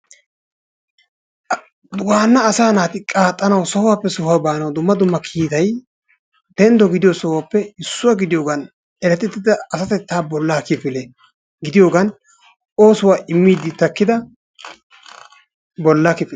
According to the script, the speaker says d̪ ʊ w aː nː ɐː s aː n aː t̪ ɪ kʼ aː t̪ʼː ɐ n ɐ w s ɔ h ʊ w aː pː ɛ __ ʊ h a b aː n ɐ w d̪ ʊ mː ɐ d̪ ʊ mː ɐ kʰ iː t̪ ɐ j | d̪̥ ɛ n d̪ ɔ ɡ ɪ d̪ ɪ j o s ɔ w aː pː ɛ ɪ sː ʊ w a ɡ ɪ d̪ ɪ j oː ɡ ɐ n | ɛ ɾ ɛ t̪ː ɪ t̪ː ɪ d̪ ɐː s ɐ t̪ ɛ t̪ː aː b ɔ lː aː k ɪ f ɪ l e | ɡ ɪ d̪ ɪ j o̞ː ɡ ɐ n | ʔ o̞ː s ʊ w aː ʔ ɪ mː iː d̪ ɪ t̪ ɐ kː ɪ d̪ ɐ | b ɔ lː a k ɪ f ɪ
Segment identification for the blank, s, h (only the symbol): s